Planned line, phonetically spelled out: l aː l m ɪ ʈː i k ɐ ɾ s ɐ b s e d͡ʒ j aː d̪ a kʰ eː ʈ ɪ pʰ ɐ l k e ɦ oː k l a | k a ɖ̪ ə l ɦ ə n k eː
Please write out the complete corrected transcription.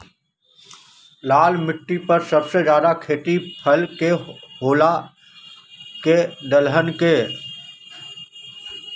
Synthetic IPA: l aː l m ɪ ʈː i p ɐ ɾ s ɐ b s e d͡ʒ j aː d̪ a kʰ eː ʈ i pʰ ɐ l k e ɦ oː l a | k e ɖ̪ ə l ɦ ə n k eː